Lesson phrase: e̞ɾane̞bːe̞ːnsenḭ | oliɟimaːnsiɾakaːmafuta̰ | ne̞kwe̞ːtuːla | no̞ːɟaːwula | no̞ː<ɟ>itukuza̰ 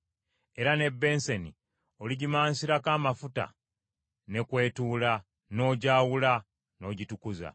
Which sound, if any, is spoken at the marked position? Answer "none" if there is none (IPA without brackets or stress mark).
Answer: ɟ